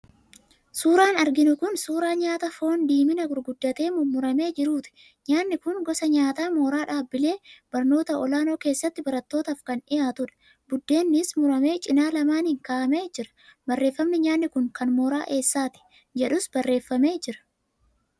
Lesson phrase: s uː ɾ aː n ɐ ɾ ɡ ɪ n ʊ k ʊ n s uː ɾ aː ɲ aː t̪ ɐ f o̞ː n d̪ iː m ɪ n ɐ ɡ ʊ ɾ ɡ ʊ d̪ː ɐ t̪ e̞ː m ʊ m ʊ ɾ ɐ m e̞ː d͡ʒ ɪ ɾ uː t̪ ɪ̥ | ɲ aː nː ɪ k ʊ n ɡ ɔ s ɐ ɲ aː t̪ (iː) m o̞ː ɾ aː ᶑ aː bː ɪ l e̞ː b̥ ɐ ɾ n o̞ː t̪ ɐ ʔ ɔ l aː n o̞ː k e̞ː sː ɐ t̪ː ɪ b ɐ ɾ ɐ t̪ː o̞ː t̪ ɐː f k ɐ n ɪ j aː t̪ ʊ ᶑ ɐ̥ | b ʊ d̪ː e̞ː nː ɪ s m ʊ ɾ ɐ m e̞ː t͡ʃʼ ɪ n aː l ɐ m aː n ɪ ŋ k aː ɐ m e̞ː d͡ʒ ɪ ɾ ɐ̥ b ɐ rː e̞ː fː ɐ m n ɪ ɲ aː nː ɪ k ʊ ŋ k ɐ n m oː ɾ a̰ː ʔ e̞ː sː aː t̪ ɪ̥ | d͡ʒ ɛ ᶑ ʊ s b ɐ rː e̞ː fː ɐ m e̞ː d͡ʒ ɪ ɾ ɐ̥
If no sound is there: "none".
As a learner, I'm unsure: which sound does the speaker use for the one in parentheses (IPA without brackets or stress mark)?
aː